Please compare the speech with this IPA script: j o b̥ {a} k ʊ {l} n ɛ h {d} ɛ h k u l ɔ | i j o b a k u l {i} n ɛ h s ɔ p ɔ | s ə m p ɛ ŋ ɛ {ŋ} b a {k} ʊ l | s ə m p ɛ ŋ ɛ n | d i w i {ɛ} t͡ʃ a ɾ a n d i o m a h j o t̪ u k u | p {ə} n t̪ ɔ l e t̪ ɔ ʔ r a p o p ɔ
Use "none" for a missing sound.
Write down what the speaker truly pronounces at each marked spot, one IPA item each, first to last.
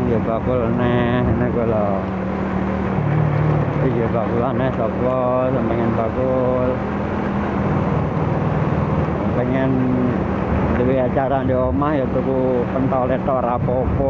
a, l, n, a, n, k, a, ə

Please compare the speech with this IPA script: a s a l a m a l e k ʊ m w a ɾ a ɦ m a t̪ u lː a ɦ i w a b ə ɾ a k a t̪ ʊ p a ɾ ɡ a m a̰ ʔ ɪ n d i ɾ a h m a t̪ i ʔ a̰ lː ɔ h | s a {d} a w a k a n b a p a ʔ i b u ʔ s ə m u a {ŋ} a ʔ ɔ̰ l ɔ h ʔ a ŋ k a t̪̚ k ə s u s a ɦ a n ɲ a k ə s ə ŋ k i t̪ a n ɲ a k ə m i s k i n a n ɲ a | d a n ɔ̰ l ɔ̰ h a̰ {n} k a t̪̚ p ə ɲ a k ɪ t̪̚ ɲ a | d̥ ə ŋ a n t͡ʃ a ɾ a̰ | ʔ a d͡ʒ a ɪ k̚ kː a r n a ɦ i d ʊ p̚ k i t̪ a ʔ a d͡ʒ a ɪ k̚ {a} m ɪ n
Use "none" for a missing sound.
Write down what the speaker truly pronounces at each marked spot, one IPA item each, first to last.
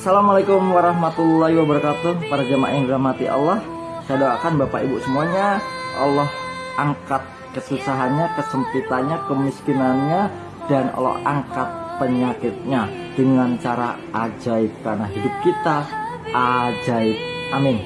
d, ɲ, ŋ, a

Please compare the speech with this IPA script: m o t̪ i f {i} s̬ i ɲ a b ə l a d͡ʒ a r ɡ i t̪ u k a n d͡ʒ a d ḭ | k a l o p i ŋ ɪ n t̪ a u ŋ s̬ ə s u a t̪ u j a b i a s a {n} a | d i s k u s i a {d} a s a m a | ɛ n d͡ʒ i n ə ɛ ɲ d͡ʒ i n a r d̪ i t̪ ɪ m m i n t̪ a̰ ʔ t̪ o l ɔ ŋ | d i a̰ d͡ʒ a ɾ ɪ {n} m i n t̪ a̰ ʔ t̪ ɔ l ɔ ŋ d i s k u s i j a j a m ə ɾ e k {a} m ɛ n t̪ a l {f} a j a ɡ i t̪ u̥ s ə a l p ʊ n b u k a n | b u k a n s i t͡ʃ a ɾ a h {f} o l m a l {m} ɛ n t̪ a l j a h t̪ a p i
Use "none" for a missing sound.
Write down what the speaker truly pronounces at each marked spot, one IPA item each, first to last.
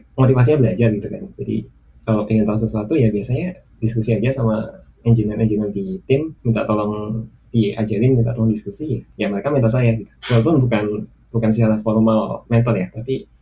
a, ɲ, d͡ʒ, n, a, s, f, m

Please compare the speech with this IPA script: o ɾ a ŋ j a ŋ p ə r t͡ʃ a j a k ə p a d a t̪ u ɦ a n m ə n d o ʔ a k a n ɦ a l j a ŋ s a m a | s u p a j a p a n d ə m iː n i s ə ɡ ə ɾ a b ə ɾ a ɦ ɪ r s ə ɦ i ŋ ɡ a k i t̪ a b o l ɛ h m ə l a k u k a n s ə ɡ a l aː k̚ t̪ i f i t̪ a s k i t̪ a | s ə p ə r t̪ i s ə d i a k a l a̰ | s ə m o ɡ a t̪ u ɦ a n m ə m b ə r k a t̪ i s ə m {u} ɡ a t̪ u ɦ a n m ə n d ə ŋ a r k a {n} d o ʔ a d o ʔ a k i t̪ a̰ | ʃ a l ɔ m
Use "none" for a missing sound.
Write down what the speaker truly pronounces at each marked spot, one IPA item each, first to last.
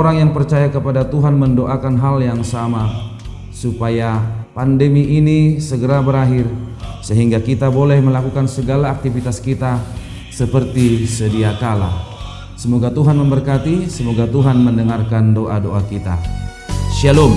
o, n

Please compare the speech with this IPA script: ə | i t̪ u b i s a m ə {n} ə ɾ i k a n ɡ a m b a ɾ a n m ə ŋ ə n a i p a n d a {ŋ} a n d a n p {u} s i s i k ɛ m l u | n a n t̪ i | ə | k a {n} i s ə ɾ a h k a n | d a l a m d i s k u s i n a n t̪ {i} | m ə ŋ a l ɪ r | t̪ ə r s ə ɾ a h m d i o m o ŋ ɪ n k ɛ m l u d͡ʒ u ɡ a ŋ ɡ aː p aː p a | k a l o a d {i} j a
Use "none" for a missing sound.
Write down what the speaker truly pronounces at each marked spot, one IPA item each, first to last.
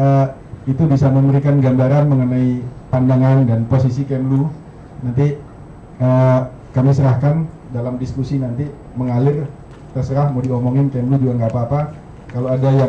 m, ŋ, o, m, i, a

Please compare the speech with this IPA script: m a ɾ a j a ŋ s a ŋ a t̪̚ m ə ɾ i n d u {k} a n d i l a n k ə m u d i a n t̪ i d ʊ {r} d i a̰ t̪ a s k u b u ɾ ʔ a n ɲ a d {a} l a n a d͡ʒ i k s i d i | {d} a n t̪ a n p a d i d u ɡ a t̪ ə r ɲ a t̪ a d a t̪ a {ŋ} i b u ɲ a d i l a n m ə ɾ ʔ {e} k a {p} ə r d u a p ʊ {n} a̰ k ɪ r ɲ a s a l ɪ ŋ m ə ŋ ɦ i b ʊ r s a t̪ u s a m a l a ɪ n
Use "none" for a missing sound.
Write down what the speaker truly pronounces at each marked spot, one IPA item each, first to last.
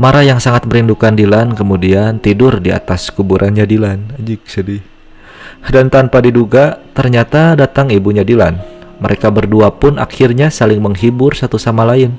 k, r, i, d, ŋ, e, b, n

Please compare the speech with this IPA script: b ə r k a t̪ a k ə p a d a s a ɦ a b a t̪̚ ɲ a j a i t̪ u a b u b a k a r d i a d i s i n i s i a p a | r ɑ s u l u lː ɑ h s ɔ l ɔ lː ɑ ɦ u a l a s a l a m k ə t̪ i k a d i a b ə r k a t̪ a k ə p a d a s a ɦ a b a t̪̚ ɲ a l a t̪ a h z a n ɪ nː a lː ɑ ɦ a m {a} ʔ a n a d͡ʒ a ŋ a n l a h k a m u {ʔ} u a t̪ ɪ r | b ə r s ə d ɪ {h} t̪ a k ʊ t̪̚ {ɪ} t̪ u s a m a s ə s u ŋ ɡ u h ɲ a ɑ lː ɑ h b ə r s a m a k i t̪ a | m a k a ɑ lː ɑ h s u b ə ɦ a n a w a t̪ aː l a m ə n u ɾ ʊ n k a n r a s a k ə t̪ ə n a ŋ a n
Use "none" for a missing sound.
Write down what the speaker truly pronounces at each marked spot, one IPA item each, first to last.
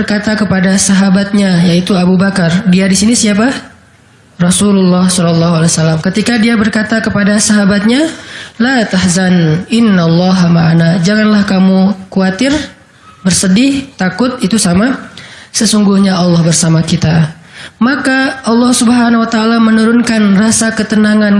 a, k, h, i

